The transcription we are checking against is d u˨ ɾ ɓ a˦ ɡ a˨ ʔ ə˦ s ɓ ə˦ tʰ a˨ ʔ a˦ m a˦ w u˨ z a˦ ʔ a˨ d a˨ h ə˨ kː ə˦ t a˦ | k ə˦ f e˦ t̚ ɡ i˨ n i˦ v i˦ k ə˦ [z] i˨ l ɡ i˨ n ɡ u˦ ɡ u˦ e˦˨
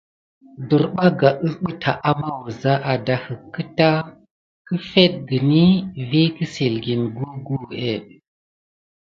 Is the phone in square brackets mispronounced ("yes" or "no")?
yes